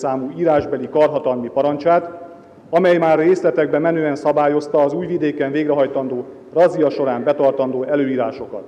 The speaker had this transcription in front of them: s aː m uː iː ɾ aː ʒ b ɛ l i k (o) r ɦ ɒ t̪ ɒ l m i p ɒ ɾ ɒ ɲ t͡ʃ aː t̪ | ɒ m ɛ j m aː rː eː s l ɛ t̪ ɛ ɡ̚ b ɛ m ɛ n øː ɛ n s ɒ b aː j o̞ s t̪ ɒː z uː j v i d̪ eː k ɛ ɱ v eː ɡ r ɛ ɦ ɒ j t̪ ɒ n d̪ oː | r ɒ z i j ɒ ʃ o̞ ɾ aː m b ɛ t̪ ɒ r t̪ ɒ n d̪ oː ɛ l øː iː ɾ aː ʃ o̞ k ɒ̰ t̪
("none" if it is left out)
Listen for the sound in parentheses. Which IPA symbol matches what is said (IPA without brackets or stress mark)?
ɒ